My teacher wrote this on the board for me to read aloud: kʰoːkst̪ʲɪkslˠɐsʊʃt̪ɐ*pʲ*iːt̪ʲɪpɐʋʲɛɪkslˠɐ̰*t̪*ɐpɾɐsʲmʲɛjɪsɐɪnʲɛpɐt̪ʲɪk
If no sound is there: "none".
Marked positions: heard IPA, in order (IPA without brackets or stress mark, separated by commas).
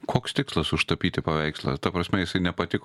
pʲ, t̪